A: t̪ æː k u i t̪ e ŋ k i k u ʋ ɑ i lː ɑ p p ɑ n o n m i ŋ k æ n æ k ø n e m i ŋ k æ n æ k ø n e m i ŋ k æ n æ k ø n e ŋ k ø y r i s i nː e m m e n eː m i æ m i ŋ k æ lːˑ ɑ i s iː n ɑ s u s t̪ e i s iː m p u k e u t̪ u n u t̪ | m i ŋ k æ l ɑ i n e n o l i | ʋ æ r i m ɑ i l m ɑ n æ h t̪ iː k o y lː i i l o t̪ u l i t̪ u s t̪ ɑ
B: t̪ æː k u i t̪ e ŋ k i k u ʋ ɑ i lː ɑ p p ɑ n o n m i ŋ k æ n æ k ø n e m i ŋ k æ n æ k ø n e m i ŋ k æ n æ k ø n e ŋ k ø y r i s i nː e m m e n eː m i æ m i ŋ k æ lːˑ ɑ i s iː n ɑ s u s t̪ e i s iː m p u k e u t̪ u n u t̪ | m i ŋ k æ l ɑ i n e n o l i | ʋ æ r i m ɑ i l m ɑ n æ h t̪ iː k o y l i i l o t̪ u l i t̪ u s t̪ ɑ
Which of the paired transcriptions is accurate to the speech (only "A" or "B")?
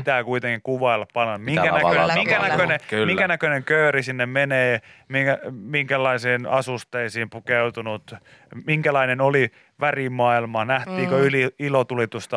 B